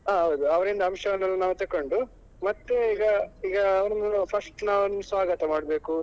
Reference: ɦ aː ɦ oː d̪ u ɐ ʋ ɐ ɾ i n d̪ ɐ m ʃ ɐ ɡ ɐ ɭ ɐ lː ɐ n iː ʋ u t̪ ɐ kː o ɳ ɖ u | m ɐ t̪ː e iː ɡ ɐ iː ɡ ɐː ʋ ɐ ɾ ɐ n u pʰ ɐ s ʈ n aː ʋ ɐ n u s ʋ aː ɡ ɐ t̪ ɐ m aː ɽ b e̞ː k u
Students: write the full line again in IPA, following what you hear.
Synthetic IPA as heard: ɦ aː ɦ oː d̪ u ɐ ʋ ɐ ɾ i n d̪ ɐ m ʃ ɐ ɡ ɐ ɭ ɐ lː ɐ n aː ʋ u t̪ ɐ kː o ɳ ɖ u | m ɐ t̪ː e iː ɡ ɐ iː ɡ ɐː ʋ ɐ ɾ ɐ n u pʰ ɐ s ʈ n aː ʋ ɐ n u s ʋ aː ɡ ɐ t̪ ɐ m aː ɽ b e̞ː k u